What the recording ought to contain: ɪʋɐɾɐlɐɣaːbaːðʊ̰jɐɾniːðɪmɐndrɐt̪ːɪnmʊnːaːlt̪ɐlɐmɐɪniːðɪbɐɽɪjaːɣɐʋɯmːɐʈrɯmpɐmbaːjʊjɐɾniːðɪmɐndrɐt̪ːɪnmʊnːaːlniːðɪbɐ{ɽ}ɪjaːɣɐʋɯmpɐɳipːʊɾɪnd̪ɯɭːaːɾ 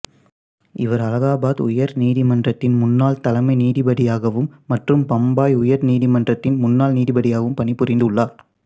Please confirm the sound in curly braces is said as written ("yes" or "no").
yes